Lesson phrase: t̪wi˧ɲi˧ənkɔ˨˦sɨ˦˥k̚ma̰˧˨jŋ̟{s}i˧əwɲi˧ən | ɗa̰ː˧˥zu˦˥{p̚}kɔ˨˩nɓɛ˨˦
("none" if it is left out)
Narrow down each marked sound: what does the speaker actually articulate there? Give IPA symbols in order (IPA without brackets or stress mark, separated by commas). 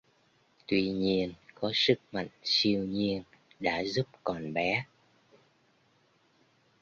s, p̚